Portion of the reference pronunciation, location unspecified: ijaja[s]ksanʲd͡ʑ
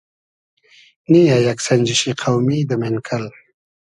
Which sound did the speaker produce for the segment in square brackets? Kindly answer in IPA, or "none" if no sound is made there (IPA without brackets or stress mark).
none